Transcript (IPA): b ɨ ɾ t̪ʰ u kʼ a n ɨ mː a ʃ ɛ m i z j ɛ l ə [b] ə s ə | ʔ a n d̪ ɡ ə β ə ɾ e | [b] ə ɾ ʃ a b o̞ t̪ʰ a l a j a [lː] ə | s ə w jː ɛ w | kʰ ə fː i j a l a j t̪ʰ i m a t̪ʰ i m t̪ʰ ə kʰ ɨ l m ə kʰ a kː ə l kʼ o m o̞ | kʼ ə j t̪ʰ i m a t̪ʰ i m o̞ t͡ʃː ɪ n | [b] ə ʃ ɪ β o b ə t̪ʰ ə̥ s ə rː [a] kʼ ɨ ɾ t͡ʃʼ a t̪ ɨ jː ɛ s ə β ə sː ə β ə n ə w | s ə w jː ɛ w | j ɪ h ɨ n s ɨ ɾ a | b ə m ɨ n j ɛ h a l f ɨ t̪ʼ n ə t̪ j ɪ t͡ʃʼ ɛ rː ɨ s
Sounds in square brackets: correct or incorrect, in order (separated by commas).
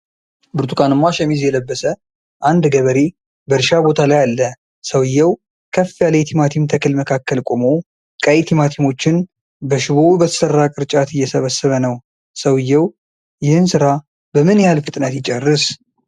incorrect, correct, correct, correct, correct